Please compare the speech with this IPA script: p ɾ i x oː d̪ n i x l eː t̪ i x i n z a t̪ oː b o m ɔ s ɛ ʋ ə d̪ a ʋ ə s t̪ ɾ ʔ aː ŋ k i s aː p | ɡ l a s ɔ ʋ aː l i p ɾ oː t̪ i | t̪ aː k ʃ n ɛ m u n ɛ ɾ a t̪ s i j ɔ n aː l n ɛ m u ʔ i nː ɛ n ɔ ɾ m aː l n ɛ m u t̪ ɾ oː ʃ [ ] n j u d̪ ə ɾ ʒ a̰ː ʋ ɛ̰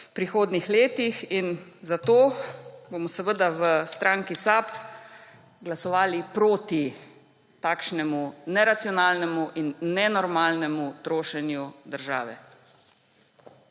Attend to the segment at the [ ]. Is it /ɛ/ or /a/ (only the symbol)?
ɛ